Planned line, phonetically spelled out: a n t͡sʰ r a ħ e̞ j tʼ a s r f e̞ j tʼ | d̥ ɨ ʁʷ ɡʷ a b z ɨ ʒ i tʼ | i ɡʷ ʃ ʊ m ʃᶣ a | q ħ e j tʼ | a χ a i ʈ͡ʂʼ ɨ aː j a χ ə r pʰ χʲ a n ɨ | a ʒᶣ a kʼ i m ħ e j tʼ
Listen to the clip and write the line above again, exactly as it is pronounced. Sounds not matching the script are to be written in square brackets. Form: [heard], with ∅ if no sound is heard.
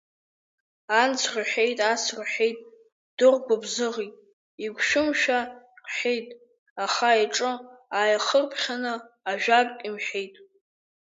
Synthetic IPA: a n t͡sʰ r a ħ e̞ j tʼ a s r [ħ] e̞ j tʼ | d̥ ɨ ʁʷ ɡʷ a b z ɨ [ʁ] i tʼ | i ɡʷ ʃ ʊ m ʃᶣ a | q ħ e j tʼ | a χ a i ʈ͡ʂʼ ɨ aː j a χ ə r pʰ χʲ a n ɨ | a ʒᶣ a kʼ i m ħ e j tʼ